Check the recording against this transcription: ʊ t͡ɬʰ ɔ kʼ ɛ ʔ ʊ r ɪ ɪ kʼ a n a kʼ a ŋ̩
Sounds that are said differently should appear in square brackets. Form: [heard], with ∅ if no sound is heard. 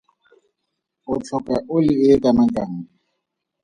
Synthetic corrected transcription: ʊ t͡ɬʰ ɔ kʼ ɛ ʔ ʊ [l] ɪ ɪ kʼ a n a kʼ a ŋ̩